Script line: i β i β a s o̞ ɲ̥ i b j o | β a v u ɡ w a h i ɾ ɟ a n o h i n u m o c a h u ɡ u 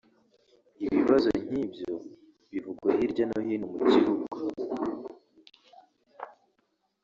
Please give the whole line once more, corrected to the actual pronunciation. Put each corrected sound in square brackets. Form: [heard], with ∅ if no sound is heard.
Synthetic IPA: i β i β a [z] o̞ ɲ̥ i b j o | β [i] v u ɡ w a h i ɾ ɟ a n o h i n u m [u] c [i] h u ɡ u